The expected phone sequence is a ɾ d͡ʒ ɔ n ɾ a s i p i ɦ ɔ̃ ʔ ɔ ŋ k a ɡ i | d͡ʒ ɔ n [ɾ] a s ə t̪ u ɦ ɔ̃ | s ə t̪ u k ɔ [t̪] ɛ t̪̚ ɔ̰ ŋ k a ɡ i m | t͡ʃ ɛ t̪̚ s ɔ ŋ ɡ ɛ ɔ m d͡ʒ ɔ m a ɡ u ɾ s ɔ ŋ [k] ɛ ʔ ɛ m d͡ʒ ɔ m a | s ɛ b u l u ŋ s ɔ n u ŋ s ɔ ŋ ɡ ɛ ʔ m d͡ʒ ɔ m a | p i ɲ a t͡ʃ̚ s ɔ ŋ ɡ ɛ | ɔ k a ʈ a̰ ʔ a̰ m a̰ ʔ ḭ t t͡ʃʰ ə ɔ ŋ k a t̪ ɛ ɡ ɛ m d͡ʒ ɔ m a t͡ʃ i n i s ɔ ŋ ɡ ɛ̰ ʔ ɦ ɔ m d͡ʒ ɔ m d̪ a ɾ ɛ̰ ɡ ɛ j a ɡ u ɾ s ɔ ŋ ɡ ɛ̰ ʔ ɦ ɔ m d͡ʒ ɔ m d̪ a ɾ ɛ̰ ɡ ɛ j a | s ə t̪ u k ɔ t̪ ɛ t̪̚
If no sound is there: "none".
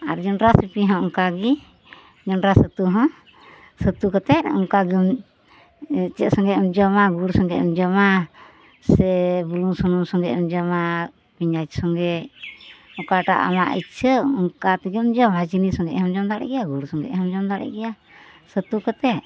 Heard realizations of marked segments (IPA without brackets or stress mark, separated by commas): ɾ, t̪, ɡ